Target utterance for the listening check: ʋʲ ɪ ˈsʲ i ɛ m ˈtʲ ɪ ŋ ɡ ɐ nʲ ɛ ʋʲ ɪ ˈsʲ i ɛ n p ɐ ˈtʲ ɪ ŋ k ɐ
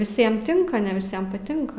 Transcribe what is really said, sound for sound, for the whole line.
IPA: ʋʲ ɪ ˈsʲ i ɛ m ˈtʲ ɪ ŋ k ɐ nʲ ɛ ʋʲ ɪ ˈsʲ i ɛ m p ɐ ˈtʲ ɪ ŋ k ɐ